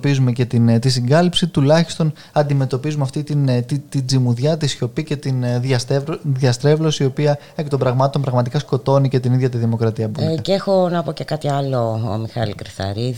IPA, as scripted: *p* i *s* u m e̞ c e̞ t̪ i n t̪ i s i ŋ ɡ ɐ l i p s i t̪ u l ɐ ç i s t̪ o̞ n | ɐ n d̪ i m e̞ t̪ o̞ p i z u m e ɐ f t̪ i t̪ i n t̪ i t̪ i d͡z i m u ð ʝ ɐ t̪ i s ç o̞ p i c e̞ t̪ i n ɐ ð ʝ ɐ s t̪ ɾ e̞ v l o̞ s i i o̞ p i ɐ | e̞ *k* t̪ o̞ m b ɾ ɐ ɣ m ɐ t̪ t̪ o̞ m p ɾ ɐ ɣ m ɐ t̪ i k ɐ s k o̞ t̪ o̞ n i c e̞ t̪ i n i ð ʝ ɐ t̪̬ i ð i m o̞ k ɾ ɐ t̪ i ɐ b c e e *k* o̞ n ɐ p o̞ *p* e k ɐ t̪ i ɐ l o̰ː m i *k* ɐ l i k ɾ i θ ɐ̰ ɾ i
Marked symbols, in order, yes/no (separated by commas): yes, no, yes, no, no, no